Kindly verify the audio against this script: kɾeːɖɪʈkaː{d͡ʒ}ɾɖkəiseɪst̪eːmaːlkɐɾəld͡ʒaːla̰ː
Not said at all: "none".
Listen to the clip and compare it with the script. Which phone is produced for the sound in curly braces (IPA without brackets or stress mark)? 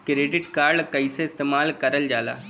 none